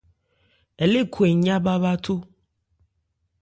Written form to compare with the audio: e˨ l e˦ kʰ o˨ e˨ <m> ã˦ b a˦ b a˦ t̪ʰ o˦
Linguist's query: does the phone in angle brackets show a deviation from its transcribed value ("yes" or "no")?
yes